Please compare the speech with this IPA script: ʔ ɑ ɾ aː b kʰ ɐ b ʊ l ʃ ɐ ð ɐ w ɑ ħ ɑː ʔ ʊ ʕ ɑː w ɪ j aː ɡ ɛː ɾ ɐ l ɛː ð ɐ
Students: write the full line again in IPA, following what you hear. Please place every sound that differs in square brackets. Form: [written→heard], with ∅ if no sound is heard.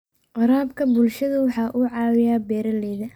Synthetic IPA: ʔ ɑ ɾ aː b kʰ ɐ b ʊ l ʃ ɐ ð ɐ w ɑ ħ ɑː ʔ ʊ ʕ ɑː w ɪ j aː [ɡ→b] ɛː ɾ ɐ l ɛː ð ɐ